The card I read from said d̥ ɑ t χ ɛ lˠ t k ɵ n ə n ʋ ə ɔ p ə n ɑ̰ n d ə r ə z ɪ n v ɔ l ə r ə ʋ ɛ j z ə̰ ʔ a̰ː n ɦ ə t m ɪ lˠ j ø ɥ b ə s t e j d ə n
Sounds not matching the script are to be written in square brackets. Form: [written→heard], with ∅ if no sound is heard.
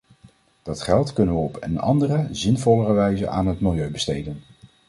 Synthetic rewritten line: d̥ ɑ t χ ɛ lˠ t k ɵ n ə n ʋ ə ɔ p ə n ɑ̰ n d ə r ə z ɪ n v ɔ l ə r ə ʋ ɛ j z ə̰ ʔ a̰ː n ɦ ə t m ɪ lˠ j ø ɥ b ə s t e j d ə n